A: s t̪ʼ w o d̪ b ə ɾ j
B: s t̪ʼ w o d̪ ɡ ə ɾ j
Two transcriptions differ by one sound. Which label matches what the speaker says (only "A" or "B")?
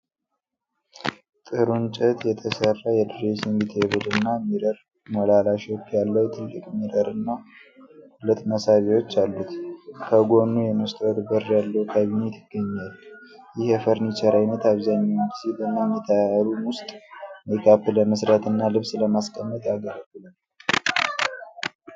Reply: A